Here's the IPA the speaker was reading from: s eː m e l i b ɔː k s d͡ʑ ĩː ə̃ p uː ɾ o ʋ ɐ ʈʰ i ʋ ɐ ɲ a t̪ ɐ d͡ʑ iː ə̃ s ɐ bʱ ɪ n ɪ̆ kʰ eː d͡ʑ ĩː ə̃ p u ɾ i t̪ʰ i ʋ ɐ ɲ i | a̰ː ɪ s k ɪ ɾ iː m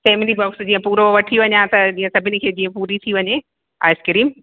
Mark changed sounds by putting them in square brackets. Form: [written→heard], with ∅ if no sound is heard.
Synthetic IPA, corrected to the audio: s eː m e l i b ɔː k s d͡ʑ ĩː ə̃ p uː ɾ o ʋ ɐ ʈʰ i ʋ ɐ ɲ a t̪ ɐ d͡ʑ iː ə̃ s ɐ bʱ ɪ n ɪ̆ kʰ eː d͡ʑ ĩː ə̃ p [u→uː] ɾ i t̪ʰ i ʋ ɐ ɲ [i→e] | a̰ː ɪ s k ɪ ɾ iː m